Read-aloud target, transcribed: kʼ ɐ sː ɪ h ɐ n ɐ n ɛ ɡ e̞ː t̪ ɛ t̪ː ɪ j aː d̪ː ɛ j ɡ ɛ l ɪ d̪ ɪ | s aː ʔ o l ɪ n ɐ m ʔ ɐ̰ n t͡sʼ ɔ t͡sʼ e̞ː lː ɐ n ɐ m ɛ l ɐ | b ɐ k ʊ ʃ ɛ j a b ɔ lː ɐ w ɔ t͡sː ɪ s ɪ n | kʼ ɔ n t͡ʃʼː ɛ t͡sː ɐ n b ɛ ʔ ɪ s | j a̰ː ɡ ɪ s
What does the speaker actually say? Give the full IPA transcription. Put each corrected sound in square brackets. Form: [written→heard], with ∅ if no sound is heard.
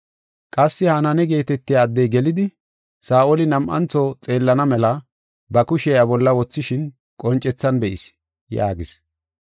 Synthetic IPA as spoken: kʼ ɐ sː ɪ h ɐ n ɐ n ɛ ɡ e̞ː t̪ ɛ t̪ː ɪ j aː d̪ː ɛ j ɡ ɛ l ɪ d̪ ɪ | s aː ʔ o l ɪ n ɐ m ʔ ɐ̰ n [t͡sʼ→t͡s] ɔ t͡sʼ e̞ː lː ɐ n ɐ m ɛ l ɐ | b ɐ k ʊ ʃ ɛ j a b ɔ lː ɐ w ɔ t͡sː ɪ [s→ʃ] ɪ n | kʼ ɔ n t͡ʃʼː ɛ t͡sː ɐ n b ɛ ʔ ɪ s | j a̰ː ɡ ɪ s

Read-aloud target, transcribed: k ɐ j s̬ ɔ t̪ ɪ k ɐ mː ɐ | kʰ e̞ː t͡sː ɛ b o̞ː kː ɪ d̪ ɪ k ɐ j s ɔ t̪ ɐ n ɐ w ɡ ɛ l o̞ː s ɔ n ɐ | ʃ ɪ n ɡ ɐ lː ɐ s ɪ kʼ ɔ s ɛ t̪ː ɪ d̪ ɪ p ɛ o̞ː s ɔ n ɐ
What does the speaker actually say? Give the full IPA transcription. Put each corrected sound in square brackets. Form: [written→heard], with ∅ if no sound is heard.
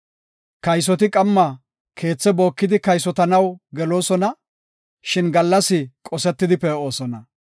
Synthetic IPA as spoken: k ɐ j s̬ ɔ t̪ ɪ [k→kʼ] ɐ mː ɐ | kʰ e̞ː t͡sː ɛ b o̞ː kː ɪ d̪ ɪ k ɐ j s ɔ t̪ ɐ n ɐ w ɡ ɛ l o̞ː s ɔ n ɐ | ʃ ɪ n ɡ ɐ lː ɐ s ɪ kʼ ɔ s ɛ t̪ː ɪ d̪ ɪ p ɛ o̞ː s ɔ n ɐ

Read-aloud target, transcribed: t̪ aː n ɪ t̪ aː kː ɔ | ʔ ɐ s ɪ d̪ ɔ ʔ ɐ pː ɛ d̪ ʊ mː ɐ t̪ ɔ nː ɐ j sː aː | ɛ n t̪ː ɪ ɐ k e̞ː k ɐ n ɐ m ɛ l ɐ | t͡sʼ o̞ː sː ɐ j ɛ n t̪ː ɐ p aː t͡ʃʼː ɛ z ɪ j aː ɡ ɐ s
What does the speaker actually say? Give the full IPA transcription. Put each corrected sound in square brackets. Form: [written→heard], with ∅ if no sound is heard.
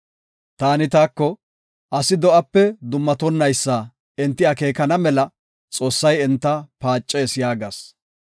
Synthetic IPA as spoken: t̪ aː n ɪ t̪ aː kː ɔ | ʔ ɐ s ɪ d̪ ɔ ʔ ɐ pː ɛ d̪ ʊ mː ɐ t̪ ɔ nː ɐ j sː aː | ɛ n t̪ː ɪ ɐ k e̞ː k ɐ n ɐ m ɛ l ɐ | t͡sʼ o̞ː sː ɐ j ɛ n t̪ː ɐ p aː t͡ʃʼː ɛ [z→s] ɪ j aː ɡ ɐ s

